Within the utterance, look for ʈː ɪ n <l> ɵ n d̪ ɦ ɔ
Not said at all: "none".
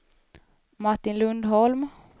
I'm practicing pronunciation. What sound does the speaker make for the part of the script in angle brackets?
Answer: l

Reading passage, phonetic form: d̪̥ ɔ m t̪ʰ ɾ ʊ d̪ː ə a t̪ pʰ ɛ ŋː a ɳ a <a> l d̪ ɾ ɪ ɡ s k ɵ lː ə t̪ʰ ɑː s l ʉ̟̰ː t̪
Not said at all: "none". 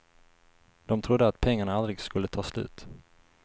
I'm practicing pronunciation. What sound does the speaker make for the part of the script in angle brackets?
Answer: a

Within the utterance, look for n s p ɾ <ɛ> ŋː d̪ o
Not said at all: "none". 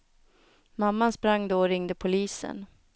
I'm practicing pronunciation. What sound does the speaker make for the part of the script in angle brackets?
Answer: a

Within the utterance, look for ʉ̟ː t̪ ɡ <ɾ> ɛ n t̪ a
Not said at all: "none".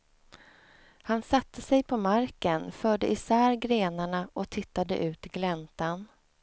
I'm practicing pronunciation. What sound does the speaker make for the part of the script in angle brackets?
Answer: l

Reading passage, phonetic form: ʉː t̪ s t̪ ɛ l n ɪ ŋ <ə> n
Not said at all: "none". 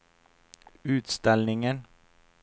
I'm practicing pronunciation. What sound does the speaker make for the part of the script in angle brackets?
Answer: ə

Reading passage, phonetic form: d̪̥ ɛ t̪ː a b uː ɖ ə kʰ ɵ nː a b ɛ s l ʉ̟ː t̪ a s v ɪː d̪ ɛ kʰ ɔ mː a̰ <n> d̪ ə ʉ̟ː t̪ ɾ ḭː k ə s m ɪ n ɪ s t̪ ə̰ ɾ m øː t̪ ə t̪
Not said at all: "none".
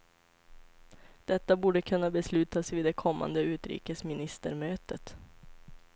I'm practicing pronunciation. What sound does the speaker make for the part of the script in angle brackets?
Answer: n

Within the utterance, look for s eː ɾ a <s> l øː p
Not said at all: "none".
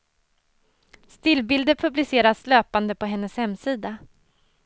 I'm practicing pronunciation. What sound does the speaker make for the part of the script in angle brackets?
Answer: s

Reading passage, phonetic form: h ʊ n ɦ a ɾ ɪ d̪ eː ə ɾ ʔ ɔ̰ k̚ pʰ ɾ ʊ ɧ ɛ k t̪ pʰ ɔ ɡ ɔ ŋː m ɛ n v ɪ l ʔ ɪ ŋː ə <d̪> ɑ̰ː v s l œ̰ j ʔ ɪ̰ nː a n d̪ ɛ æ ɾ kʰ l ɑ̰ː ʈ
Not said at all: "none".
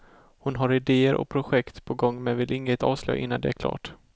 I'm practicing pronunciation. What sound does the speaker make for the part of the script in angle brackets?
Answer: t̪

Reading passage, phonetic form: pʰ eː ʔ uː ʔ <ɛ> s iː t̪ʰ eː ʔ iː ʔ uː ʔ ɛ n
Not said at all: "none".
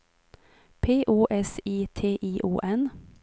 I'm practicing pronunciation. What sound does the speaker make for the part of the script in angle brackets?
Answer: ɛ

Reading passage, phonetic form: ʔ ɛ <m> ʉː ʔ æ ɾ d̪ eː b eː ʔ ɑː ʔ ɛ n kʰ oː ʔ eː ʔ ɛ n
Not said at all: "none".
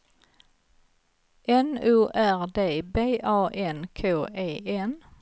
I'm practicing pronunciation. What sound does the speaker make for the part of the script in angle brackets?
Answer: n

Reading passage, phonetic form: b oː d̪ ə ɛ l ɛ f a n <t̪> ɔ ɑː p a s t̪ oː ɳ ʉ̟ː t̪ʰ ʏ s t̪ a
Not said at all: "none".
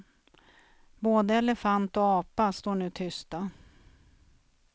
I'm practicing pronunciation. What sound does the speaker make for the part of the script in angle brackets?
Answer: t̪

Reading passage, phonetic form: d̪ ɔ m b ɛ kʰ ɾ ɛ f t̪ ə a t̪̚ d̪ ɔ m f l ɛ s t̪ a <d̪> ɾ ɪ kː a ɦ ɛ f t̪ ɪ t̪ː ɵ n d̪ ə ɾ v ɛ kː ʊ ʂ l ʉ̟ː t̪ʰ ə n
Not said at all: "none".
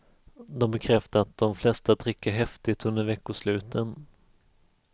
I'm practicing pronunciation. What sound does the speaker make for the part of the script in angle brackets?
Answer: d̪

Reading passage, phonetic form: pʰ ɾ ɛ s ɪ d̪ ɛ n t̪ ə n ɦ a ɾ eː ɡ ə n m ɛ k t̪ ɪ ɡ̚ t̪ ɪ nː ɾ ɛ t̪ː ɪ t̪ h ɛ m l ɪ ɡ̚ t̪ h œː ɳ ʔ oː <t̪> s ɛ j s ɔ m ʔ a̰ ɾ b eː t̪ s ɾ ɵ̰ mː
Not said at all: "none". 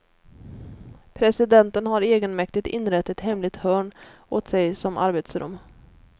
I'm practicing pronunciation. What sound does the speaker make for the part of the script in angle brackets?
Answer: t̪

